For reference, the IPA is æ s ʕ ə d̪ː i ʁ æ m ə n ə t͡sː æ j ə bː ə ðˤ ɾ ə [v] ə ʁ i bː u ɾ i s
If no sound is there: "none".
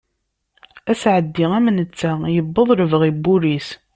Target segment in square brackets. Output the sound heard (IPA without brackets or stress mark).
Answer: v